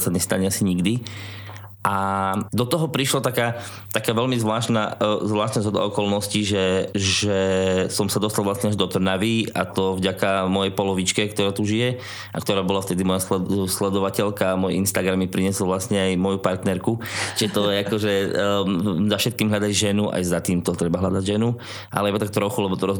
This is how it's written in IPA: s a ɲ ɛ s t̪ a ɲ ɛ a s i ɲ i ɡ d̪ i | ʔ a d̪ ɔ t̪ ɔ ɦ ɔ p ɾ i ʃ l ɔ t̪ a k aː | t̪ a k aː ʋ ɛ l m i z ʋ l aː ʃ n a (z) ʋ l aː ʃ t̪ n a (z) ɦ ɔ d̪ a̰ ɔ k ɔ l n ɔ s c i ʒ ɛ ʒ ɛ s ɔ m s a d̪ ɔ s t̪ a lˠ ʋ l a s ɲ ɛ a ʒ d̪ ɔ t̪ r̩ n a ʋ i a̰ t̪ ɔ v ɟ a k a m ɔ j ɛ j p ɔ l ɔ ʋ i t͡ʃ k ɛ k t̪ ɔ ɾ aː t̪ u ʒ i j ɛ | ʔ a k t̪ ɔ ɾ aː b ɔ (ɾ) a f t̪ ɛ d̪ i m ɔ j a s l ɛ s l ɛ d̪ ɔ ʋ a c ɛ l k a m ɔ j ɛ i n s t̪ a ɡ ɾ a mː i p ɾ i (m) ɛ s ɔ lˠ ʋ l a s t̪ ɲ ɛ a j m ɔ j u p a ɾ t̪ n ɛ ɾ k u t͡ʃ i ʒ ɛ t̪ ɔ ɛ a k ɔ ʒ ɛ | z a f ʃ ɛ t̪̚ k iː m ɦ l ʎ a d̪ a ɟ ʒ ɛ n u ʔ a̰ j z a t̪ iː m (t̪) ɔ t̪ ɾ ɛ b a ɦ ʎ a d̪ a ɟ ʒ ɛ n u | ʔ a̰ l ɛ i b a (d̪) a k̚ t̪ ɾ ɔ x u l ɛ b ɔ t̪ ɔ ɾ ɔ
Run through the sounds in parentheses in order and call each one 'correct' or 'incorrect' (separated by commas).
correct, correct, incorrect, incorrect, correct, incorrect